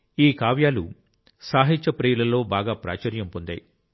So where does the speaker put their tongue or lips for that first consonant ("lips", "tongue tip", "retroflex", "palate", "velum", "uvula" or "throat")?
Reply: velum